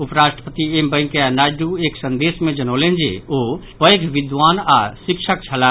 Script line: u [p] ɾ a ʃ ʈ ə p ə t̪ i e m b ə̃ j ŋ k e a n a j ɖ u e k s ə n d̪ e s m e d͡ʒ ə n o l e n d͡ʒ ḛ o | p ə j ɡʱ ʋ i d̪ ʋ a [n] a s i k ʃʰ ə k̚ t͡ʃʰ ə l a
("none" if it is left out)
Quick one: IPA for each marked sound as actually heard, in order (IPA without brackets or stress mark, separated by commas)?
p, n